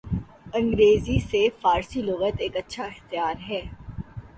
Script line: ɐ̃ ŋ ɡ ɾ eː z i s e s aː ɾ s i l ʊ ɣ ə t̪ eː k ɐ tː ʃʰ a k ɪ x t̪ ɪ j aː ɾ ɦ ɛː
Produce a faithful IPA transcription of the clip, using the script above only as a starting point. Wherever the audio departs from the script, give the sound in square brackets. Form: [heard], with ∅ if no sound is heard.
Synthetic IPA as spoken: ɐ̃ ŋ ɡ ɾ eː z i s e [f] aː ɾ s i l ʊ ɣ ə t̪ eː k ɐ tː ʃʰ a [∅] ɪ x t̪ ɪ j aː ɾ ɦ ɛː